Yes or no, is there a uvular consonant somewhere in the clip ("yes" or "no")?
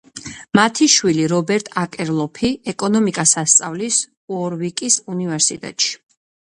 no